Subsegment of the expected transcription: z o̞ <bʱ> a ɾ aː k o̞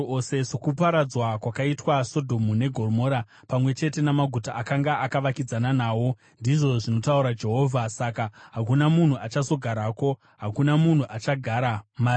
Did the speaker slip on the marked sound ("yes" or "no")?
yes